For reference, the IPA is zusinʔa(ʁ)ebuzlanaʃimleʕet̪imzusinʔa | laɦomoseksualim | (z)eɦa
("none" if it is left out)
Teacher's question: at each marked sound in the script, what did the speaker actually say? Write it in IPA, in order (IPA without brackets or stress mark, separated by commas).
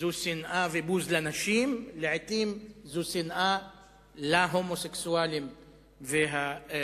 v, v